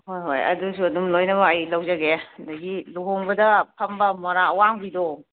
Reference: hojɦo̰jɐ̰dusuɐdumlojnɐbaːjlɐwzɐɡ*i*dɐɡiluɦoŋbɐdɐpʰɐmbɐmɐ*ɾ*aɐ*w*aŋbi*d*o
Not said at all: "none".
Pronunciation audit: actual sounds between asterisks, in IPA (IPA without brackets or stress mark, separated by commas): e, ɾ, w, d